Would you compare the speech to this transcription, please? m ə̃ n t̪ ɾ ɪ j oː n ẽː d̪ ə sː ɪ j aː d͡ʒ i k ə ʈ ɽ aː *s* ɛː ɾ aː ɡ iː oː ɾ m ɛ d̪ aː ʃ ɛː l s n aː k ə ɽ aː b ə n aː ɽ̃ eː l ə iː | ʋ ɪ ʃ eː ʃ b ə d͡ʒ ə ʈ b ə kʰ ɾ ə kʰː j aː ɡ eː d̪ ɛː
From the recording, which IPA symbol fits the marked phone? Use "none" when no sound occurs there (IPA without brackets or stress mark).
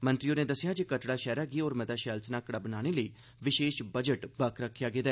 ʃ